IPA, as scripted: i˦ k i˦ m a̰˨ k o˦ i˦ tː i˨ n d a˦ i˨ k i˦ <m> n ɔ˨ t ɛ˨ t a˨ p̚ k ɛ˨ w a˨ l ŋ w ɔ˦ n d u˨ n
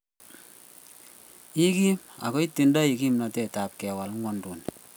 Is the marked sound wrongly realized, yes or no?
no